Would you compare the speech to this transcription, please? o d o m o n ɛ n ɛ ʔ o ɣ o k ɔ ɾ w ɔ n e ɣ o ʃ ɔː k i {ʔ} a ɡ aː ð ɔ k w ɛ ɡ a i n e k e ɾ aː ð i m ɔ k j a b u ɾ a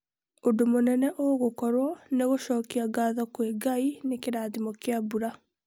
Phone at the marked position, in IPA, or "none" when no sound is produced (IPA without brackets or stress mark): none